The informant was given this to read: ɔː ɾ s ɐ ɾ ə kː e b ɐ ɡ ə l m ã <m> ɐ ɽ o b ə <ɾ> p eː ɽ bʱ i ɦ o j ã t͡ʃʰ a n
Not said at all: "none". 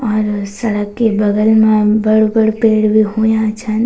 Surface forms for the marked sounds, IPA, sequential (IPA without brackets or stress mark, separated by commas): b, ɽ